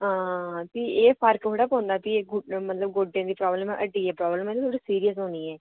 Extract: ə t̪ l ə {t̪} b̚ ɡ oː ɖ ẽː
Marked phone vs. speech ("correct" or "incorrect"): incorrect